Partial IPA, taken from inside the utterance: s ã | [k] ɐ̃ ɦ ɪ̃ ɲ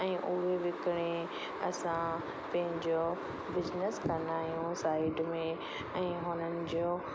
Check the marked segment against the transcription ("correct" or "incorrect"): incorrect